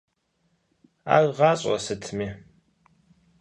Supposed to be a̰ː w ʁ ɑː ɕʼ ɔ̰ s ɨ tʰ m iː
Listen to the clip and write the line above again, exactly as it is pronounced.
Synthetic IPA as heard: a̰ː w ʁ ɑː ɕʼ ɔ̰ s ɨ tʰ m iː